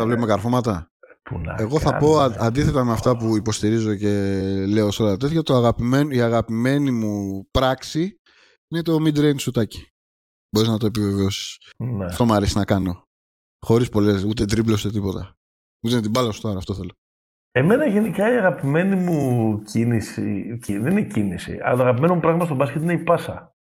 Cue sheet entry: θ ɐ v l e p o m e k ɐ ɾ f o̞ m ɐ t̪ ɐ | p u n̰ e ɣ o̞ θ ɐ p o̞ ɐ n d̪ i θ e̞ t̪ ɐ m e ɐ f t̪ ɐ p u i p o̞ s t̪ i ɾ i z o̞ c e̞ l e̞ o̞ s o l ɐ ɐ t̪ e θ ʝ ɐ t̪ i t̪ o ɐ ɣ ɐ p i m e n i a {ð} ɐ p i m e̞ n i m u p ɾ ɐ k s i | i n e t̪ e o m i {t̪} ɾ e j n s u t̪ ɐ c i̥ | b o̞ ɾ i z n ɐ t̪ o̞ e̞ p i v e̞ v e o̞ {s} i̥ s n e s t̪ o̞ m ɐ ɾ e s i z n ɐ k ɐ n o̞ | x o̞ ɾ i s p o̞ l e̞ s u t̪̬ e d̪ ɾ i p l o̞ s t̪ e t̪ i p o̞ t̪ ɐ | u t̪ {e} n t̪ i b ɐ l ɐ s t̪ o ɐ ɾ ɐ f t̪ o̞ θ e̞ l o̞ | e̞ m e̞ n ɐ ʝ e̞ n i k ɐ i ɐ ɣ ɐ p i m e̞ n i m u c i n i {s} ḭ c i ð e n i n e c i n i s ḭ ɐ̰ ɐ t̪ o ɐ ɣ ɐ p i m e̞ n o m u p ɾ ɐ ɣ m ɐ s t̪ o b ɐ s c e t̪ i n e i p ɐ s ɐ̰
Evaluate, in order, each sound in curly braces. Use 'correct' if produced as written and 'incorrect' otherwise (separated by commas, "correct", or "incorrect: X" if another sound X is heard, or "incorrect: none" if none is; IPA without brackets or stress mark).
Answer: incorrect: ɣ, incorrect: d̪, correct, correct, correct